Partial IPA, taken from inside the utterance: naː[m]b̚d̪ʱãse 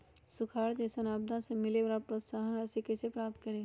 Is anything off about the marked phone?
yes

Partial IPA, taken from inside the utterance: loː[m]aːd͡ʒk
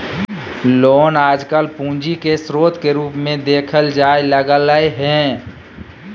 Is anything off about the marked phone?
yes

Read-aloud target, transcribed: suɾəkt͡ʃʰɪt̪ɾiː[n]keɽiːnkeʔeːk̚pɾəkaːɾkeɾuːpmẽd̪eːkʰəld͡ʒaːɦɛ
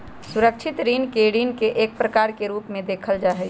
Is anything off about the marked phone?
no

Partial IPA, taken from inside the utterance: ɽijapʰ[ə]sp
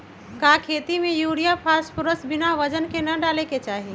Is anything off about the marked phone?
yes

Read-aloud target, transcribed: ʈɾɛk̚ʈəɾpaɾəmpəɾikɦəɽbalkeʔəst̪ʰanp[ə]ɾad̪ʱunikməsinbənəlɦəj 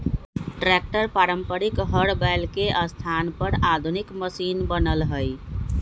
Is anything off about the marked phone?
no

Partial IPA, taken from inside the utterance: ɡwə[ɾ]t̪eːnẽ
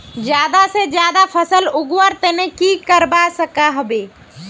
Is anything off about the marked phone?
no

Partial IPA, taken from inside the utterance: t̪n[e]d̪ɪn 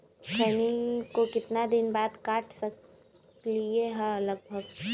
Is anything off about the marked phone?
yes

